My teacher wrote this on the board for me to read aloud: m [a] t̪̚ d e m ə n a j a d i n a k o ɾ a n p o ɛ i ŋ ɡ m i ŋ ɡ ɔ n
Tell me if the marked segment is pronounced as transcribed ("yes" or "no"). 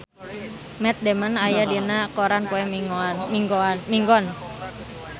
no